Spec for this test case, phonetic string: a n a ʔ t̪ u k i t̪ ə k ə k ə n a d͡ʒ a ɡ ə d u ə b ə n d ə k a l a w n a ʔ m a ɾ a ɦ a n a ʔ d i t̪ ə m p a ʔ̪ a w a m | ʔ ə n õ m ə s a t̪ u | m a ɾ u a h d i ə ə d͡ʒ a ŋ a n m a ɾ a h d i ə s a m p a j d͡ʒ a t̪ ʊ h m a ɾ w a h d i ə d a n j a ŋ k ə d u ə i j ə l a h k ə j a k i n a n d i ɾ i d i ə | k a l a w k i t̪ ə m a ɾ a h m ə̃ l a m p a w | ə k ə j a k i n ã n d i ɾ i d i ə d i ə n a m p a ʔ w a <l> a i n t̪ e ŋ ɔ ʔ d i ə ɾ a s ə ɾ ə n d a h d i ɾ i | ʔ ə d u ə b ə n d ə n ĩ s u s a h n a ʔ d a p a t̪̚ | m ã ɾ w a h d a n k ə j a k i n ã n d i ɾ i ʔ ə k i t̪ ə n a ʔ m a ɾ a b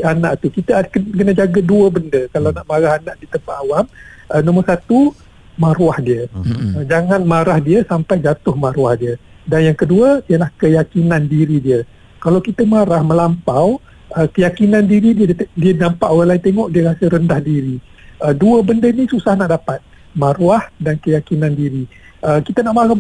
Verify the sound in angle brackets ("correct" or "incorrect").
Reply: correct